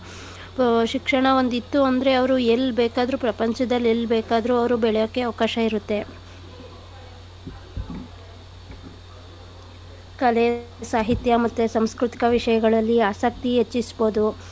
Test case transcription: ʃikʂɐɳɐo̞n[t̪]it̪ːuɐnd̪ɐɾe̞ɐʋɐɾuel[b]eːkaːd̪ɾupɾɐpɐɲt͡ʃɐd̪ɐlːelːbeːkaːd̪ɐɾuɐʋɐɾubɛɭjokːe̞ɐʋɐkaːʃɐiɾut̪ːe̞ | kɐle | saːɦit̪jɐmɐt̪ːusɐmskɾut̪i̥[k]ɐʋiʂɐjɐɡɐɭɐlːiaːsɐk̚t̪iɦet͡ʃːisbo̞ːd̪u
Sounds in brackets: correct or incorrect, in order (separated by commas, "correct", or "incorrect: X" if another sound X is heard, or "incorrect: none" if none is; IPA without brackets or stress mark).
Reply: incorrect: d̪, correct, correct